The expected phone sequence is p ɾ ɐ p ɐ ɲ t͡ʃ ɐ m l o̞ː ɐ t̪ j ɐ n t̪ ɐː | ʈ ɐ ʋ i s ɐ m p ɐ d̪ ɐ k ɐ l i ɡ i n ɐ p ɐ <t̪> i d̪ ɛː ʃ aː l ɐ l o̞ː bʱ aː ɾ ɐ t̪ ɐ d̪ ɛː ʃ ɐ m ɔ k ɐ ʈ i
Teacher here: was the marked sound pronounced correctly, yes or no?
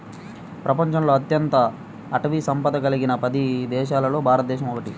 no